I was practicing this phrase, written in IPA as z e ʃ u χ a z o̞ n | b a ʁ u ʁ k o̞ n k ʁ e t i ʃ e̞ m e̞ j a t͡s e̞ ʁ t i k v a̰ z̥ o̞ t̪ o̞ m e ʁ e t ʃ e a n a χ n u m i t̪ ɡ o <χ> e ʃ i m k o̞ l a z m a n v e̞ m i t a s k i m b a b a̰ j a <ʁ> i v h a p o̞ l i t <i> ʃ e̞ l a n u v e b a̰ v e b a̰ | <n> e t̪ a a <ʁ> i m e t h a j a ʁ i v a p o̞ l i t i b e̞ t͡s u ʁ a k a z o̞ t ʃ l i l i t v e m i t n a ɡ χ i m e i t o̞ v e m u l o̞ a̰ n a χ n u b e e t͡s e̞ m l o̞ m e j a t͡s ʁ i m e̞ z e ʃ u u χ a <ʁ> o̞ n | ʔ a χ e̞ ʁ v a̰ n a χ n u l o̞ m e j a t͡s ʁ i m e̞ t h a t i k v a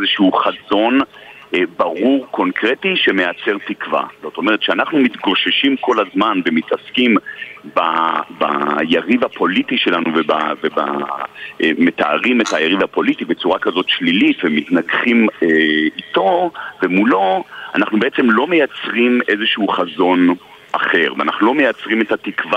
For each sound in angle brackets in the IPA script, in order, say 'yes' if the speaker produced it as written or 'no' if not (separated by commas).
no, yes, yes, no, yes, no